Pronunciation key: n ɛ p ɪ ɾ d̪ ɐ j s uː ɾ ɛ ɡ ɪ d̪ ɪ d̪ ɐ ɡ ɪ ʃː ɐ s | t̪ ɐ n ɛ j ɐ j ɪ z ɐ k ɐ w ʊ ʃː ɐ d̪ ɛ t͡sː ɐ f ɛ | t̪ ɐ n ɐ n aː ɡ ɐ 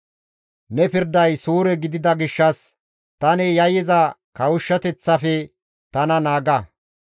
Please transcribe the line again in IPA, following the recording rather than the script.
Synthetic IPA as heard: n ɛ p ɪ ɾ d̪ ɐ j s uː ɾ ɛ ɡ ɪ d̪ ɪ d̪ ɐ ɡ ɪ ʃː ɐ s | t̪ ɐ n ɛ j ɐ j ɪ z ɐ k ɐ w ʊ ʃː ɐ t̪ ɛ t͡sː ɐ f ɛ | t̪ ɐ n ɐ n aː ɡ ɐ